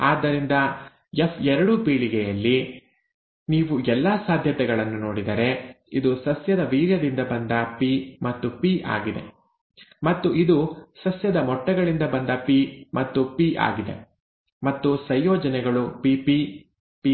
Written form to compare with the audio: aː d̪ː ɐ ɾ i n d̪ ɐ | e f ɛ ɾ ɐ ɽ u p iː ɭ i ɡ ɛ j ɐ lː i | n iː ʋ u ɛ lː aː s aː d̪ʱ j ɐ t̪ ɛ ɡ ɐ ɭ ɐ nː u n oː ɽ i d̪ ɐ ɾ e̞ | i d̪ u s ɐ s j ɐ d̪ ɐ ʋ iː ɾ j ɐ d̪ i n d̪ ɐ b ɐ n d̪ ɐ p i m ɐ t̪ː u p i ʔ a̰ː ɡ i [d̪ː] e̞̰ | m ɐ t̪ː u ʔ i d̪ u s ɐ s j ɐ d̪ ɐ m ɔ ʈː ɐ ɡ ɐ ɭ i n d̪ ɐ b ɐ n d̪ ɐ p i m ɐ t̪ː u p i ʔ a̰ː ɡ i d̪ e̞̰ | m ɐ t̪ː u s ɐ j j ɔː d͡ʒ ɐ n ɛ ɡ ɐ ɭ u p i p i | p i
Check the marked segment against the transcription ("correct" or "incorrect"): incorrect